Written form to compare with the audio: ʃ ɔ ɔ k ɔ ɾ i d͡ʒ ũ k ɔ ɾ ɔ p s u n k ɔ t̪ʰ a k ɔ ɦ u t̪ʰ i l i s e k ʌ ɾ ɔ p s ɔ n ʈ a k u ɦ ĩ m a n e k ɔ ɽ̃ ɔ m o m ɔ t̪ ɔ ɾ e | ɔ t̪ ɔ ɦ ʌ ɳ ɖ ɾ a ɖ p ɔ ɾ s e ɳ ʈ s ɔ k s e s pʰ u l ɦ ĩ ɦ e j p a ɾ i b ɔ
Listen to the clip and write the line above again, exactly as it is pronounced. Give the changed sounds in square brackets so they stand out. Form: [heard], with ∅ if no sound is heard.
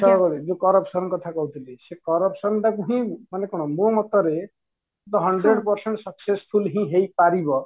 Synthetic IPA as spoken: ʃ ɔ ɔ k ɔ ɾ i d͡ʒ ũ k ɔ ɾ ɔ p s [ɔ] n k ɔ t̪ʰ a k ɔ ɦ u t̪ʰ i l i s e k [ɔ] ɾ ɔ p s ɔ n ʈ a k u ɦ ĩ m a n e k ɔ ɽ̃ ɔ m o m ɔ t̪ ɔ ɾ e | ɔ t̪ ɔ ɦ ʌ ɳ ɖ ɾ [e] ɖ p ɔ ɾ s e ɳ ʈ s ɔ k s e s pʰ u l ɦ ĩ ɦ e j p a ɾ i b ɔ

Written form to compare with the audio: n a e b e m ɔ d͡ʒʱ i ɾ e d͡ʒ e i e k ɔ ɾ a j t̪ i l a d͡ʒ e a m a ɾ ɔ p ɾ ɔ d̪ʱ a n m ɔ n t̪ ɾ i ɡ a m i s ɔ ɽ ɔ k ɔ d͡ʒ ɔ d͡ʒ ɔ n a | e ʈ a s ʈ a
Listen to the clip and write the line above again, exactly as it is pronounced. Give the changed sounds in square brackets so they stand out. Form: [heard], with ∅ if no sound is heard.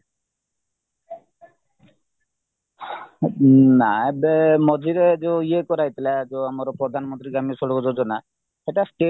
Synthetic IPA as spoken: n a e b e m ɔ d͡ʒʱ i ɾ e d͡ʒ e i e k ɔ ɾ a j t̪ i l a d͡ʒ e a m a ɾ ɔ p ɾ ɔ d̪ʱ a n m ɔ n t̪ ɾ i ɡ a m i s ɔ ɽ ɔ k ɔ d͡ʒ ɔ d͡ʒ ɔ n a | e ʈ a s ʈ [e]

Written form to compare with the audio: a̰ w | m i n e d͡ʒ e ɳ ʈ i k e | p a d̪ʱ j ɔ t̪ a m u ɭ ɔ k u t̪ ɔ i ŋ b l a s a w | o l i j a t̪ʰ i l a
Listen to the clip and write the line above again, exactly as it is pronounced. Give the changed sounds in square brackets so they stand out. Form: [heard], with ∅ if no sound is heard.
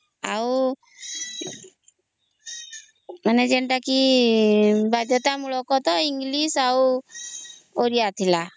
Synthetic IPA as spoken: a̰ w | m [a] n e d͡ʒ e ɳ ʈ [a] k [i] | [b] a d̪ʱ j ɔ t̪ a m u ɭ ɔ k [ɔ] t̪ ɔ i ŋ [ɡ] l [i] s a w | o [ɾ] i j a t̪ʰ i l a

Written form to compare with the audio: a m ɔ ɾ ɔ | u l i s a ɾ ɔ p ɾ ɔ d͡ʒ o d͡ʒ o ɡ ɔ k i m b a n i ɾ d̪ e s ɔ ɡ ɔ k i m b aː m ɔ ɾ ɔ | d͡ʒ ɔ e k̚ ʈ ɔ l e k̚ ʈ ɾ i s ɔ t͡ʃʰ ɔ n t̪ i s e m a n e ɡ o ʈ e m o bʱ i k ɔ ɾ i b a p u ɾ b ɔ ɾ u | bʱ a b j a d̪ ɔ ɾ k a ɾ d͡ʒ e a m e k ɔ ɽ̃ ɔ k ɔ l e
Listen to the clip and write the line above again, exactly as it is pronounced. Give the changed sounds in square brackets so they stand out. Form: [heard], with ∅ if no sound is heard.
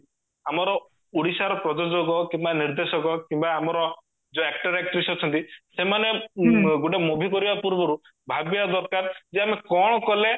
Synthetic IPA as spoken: a m ɔ ɾ ɔ | u [ɽ] i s a ɾ ɔ p ɾ ɔ d͡ʒ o d͡ʒ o ɡ ɔ k i m b a n i ɾ d̪ e s ɔ ɡ ɔ k i m b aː m ɔ ɾ ɔ | d͡ʒ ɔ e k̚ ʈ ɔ [ɾ] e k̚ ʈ ɾ i s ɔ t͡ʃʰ ɔ n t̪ i s e m a n e ɡ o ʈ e m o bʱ i k ɔ ɾ i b a p u ɾ b ɔ ɾ u | bʱ a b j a d̪ ɔ ɾ k a ɾ d͡ʒ e a m e k ɔ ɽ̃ ɔ k ɔ l e

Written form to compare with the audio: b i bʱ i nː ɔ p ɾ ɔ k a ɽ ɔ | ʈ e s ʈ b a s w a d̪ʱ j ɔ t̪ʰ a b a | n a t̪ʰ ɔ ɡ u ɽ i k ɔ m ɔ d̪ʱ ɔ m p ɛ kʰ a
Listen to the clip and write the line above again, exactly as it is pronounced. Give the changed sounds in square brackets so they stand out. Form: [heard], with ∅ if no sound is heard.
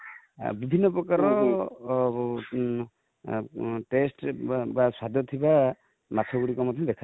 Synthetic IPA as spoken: b i bʱ i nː ɔ p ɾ ɔ k a [ɾ] ɔ | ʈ e s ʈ b a s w a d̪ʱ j ɔ t̪ʰ [i] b a | [m] a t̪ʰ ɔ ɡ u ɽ i k ɔ m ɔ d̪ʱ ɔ m [b] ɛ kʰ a

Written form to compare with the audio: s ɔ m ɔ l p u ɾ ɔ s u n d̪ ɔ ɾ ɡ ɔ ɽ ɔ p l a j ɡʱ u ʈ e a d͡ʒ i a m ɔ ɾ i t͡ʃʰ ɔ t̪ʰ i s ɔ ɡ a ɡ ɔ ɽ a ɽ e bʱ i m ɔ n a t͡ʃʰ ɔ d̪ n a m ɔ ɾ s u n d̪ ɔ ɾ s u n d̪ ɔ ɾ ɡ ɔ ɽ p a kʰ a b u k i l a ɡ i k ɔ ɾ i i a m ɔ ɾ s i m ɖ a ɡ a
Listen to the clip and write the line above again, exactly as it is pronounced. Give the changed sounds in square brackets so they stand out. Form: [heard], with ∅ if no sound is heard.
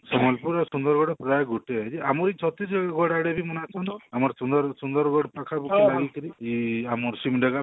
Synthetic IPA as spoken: s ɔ m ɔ l p u ɾ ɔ s u n d̪ ɔ ɾ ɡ ɔ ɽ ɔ p [ɾ] a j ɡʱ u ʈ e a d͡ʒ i a m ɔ ɾ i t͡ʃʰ ɔ [t̪] i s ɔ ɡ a ɡ ɔ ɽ a ɽ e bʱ i m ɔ n a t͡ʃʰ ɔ [∅] n a m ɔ ɾ s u n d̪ ɔ ɾ s u n d̪ ɔ ɾ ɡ ɔ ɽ p a kʰ a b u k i l a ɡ i k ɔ ɾ i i a m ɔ ɾ s i m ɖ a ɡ a

